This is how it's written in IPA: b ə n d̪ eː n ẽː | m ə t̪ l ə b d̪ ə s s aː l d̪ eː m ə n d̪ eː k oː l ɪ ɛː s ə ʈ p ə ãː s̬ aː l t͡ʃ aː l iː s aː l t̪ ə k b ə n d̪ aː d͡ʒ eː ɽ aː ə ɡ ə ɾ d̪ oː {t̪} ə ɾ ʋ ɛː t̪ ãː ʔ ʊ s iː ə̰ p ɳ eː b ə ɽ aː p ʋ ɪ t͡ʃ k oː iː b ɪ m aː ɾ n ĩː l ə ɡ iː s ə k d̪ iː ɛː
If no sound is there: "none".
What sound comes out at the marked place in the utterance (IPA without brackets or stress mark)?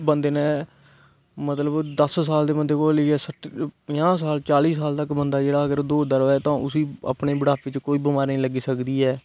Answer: d̪